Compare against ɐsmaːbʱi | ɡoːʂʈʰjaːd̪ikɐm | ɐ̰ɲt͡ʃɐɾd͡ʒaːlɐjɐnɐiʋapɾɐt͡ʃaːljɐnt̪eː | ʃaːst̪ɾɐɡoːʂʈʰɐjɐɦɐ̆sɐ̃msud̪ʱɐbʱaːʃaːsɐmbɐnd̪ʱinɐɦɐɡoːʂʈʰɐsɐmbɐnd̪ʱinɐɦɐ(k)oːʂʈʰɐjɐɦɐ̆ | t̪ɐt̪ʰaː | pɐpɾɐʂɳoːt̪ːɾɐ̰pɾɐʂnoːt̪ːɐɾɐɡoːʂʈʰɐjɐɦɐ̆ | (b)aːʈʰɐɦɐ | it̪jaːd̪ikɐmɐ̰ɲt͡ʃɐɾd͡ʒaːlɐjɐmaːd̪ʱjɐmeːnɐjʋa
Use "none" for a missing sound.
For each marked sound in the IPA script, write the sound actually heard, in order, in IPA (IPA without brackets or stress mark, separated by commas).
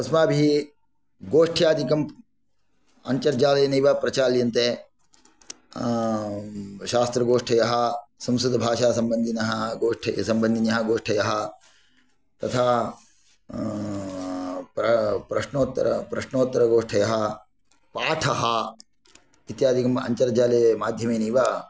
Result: ɡ, p